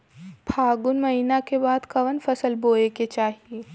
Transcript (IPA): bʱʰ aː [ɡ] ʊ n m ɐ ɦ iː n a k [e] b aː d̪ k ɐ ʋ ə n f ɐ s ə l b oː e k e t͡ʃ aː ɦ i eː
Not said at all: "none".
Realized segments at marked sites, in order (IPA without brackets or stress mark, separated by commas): ɡ, e